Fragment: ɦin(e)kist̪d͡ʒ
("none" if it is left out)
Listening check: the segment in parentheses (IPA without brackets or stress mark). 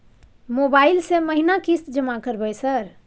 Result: a